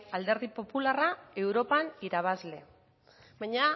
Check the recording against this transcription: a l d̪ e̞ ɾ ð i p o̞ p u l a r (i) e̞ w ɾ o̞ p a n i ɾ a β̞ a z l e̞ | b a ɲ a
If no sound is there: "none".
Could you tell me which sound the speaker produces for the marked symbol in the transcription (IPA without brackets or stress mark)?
a